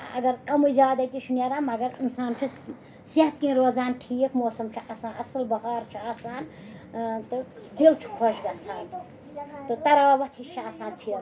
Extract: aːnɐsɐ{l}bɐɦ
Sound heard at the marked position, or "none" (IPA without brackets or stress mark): l